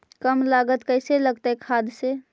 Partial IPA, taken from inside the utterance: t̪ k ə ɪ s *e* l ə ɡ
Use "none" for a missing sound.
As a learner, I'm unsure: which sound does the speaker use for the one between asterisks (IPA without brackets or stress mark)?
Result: e